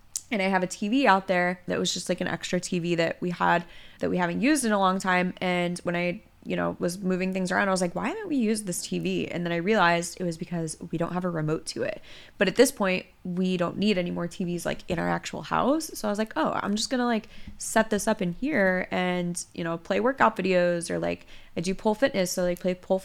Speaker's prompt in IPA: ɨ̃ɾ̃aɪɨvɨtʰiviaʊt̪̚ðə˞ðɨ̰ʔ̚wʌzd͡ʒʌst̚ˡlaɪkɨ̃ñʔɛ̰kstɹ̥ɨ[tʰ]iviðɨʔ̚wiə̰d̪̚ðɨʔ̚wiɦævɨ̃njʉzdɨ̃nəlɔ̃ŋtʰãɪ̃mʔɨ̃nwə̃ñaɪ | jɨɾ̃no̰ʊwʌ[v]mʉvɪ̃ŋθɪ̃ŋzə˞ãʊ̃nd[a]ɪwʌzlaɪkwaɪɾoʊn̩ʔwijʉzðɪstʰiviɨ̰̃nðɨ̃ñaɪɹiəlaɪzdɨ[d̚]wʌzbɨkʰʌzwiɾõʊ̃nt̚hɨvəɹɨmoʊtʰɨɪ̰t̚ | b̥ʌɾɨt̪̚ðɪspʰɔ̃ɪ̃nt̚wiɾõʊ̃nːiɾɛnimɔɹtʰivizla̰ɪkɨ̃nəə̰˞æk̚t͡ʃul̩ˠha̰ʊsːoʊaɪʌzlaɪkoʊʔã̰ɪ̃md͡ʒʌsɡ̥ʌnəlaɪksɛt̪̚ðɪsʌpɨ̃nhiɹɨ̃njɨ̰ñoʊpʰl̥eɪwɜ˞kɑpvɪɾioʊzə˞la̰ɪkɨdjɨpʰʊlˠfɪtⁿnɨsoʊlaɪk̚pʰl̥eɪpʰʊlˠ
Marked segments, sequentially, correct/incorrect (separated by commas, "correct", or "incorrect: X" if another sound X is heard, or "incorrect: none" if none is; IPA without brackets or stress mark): correct, incorrect: z, correct, incorrect: t̚